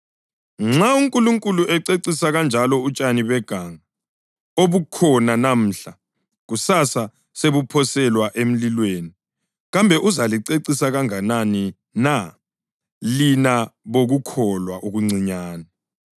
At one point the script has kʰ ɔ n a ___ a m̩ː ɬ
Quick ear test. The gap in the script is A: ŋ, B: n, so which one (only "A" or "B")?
B